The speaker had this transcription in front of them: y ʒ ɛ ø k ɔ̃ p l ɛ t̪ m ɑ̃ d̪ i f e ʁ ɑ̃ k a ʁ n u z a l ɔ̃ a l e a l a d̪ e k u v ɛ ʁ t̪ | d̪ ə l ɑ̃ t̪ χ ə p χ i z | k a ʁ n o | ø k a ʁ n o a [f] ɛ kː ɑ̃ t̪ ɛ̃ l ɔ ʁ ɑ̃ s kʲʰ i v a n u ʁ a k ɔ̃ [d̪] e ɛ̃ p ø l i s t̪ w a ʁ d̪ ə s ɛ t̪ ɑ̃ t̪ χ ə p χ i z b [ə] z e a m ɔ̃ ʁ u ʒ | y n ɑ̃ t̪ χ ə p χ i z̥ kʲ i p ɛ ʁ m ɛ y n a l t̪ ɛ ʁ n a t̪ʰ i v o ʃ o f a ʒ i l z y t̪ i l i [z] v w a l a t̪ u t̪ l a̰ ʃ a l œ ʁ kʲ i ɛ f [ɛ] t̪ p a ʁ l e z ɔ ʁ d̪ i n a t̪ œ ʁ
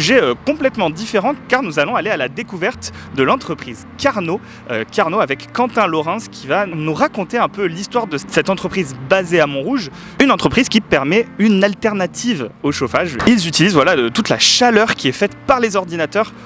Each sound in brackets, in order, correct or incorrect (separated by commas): incorrect, incorrect, incorrect, correct, correct